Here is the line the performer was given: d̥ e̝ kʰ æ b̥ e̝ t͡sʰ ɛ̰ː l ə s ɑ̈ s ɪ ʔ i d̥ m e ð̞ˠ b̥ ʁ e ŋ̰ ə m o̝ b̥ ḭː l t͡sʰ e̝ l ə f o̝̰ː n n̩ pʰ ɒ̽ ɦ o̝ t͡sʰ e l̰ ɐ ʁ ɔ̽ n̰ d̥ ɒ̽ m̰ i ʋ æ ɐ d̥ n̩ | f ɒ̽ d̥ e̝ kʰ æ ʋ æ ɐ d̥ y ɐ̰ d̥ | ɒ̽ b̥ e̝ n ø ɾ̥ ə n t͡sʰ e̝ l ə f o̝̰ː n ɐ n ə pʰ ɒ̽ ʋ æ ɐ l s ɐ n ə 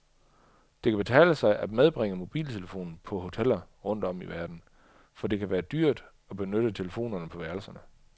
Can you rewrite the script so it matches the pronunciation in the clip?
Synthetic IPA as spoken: d̥ e̝ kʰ æ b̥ e̝ t͡sʰ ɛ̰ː l ə s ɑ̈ ɪ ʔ æ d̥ m e ð̞ˠ b̥ ʁ e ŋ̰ ə m o̝ b̥ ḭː l t͡sʰ e̝ l ə f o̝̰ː n n̩ pʰ ɒ̽ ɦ o̝ t͡sʰ e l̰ ɐ ʁ ɔ̽ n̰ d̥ ɒ̽ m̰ i ʋ æ ɐ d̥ n̩ | f ɒ̽ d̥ e̝ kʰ æ ʋ æː ɐ d̥ y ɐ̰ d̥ | ɒ̽ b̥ e̝ n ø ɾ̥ ə t͡sʰ e̝ l ə f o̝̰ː n ɐ n ə pʰ ɒ̽ ʋ æ ɐ l s ɐ n ə